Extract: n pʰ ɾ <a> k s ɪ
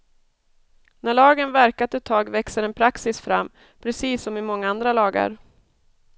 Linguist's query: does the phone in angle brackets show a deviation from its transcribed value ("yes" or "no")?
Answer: no